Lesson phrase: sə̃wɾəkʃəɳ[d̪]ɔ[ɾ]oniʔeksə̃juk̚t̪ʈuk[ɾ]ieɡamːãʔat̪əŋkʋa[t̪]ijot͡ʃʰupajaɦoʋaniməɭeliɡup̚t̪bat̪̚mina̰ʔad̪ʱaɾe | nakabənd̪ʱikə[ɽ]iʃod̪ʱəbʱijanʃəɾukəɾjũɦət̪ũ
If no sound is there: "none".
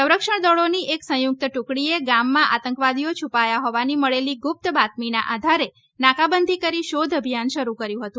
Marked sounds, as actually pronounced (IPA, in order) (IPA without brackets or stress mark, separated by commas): d̪, ɭ, ɽ, d̪, ɾ